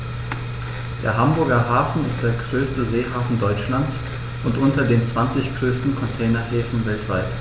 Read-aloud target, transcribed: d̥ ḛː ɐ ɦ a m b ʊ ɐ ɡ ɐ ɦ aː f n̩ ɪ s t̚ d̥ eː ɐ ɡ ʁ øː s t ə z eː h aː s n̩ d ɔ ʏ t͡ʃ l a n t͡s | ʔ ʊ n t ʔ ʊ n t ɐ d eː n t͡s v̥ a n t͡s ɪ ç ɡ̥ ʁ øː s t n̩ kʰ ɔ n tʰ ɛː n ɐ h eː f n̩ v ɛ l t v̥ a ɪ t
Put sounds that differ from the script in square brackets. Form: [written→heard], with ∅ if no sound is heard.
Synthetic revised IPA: d̥ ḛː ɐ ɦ a m b ʊ ɐ ɡ ɐ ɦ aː f n̩ ɪ s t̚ d̥ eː ɐ ɡ ʁ øː s t ə z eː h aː [s→f] n̩ d ɔ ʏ t͡ʃ l a n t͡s | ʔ ʊ n t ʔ ʊ n t ɐ d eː n t͡s v̥ a n t͡s ɪ ç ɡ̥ ʁ øː s t n̩ kʰ ɔ n tʰ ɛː n ɐ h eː f n̩ v ɛ l t v̥ a ɪ t